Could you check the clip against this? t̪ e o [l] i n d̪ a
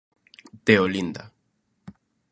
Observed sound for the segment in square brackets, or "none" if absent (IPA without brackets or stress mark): l